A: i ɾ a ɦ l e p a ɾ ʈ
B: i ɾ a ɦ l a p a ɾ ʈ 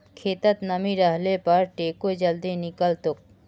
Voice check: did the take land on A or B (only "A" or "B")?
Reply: A